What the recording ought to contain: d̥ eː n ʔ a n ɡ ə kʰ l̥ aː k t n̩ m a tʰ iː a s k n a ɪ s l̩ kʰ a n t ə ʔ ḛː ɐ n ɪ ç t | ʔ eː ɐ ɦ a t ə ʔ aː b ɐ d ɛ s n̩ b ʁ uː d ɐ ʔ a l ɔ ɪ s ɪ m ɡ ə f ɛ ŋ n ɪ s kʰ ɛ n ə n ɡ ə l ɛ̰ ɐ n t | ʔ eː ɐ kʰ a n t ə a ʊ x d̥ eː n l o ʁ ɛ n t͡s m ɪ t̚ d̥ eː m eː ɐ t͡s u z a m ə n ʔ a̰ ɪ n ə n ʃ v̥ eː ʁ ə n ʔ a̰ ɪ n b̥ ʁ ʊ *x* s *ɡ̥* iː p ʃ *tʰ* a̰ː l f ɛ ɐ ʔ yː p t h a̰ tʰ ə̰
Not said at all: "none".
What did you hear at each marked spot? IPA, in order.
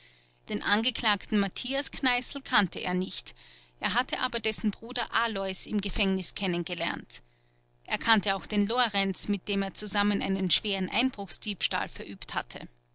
x, d̥, t

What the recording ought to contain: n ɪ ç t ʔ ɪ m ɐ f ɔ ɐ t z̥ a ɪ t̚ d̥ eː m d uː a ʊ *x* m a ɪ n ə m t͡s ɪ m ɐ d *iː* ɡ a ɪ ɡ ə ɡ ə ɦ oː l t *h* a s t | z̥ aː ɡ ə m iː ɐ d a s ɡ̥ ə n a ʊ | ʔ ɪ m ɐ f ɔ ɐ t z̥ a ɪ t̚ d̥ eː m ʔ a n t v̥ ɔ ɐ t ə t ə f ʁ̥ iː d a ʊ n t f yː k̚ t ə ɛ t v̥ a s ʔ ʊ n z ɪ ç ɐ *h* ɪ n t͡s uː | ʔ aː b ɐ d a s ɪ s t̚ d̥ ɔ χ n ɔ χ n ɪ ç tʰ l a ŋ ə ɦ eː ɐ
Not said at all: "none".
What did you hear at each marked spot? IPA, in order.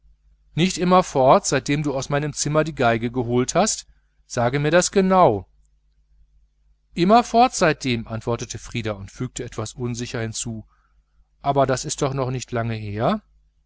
s, iː, h, h

